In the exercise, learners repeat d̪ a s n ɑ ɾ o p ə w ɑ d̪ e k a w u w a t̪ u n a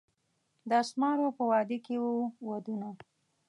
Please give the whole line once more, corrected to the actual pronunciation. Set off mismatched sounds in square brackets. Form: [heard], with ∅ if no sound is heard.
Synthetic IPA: d̪ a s [m] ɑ ɾ o p ə w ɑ d̪ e k [e] w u w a [d̪] u n a